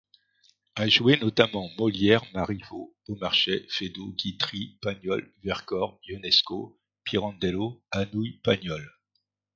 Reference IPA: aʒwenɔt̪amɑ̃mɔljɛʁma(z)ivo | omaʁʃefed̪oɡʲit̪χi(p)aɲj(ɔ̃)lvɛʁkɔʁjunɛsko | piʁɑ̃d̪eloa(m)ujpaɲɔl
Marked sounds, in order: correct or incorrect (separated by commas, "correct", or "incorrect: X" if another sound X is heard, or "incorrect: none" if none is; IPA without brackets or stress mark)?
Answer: incorrect: ʁ, correct, incorrect: ɔ, incorrect: n